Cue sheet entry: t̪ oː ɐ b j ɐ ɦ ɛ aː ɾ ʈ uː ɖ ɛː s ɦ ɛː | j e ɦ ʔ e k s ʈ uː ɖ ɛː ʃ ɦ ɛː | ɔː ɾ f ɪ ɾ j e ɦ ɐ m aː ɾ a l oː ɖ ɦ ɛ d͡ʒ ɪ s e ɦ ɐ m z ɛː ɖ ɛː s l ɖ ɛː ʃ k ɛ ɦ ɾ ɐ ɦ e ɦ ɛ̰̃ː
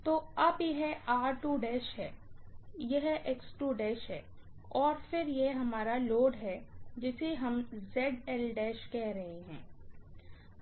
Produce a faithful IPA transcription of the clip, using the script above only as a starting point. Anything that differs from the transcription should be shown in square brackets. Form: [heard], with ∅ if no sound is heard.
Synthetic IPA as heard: t̪ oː ɐ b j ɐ ɦ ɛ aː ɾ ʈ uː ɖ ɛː [ʃ] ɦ ɛː | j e ɦ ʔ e k s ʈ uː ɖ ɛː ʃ ɦ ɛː | ɔː ɾ f ɪ ɾ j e ɦ ɐ m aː ɾ a l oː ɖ ɦ ɛ d͡ʒ ɪ s e ɦ ɐ m z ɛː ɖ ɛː [∅] l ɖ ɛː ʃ k ɛ ɦ ɾ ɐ ɦ e ɦ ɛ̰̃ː